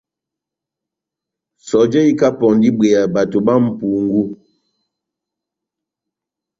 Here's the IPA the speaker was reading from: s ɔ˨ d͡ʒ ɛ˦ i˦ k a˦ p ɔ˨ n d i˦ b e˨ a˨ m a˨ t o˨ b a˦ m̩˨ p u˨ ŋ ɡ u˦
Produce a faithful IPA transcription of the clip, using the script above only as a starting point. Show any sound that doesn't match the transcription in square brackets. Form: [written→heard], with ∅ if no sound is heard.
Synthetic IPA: s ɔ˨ d͡ʒ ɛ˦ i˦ k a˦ p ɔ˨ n d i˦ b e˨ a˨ [m→b] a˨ t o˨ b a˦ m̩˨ p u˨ ŋ ɡ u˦